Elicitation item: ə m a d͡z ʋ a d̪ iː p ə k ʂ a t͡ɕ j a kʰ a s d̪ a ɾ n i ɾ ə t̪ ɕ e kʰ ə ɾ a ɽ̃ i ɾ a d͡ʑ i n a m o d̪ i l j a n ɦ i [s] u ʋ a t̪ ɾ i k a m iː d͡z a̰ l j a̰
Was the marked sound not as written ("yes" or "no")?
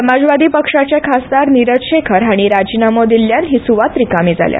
no